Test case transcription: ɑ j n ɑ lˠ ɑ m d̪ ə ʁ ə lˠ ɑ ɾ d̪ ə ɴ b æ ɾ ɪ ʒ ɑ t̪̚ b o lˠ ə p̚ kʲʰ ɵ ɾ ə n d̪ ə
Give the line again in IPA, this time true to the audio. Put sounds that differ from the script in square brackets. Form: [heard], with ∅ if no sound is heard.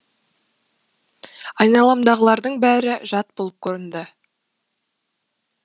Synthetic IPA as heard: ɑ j n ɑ lˠ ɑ m d̪ [ɑ] ʁ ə lˠ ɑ ɾ d̪ ə ɴ b æ ɾ ɪ ʒ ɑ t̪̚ b o lˠ ə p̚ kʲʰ ɵ ɾ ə n d̪ ə